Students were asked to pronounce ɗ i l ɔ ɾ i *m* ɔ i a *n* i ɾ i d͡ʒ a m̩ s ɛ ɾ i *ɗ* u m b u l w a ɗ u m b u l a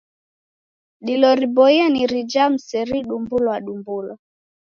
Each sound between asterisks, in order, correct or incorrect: incorrect, correct, correct

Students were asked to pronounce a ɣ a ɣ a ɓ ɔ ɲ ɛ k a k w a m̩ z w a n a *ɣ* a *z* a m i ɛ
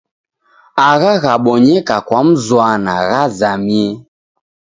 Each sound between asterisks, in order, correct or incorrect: correct, correct

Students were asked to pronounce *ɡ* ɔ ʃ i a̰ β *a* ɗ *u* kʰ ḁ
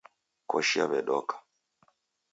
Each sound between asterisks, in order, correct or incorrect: incorrect, incorrect, incorrect

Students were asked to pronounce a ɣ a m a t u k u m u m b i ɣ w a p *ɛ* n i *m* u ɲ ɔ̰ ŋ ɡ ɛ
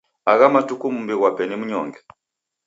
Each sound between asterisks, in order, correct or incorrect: correct, correct

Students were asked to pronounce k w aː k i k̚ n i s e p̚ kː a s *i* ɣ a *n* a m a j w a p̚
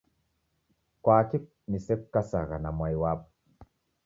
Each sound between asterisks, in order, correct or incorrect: incorrect, correct

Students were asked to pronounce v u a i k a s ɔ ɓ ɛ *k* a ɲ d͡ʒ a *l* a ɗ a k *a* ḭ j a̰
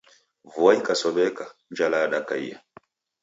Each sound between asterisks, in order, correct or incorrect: correct, correct, correct

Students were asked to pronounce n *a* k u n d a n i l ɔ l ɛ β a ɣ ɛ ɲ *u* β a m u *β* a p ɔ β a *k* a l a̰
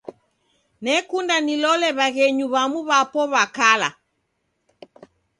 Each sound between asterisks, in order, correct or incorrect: incorrect, correct, correct, correct

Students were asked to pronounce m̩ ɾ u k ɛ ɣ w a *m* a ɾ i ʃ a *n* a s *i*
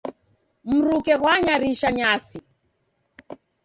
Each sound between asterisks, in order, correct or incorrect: incorrect, incorrect, correct

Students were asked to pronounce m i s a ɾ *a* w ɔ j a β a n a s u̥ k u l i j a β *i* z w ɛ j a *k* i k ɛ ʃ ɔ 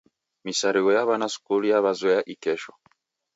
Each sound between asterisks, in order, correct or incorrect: incorrect, incorrect, incorrect

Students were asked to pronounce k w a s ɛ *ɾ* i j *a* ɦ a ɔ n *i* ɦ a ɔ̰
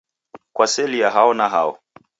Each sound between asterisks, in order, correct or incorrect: incorrect, correct, incorrect

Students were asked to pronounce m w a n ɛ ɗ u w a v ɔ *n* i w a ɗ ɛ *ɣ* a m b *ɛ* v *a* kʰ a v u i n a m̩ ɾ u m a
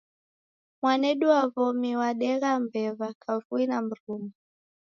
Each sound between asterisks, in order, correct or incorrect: incorrect, correct, correct, correct

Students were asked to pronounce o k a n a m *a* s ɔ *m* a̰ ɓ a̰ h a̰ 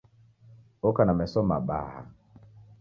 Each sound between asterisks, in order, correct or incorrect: incorrect, correct

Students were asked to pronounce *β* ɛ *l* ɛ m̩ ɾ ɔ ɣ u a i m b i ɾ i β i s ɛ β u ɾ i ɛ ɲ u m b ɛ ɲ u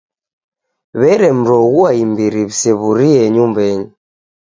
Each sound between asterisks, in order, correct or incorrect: correct, incorrect

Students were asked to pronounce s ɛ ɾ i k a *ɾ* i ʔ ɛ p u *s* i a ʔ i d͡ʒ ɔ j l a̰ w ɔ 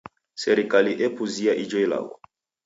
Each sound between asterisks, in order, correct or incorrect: incorrect, incorrect

